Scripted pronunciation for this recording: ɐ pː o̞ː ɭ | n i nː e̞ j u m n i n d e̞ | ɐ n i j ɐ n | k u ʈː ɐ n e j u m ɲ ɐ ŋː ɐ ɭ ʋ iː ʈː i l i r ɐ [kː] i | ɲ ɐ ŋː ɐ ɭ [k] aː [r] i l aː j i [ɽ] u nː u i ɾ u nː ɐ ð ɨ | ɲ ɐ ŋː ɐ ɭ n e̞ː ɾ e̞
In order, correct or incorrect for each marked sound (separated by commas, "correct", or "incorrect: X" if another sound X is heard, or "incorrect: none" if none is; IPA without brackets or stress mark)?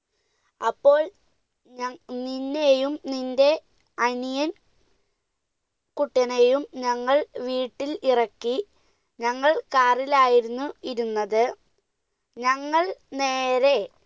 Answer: correct, correct, correct, incorrect: ɾ